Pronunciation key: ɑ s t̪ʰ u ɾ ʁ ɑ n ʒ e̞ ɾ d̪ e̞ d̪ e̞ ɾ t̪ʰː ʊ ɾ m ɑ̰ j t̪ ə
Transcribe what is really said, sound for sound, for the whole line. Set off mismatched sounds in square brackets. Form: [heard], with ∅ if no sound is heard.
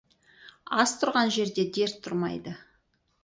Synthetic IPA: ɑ s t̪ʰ [ʊ] ɾ ʁ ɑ n ʒ e̞ ɾ d̪ e̞ d̪ e̞ ɾ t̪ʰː ʊ ɾ m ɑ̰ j [d̪] ə